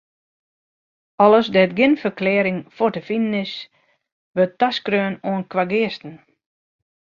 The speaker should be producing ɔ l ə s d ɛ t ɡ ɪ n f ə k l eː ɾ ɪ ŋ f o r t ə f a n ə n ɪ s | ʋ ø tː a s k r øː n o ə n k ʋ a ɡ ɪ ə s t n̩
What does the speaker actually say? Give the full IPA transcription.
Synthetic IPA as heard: ɔ l ə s d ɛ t ɡ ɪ n f ə k l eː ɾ ɪ ŋ f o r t ə f i n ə n ɪ s | ʋ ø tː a s k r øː n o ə n k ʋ a ɡ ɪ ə s t n̩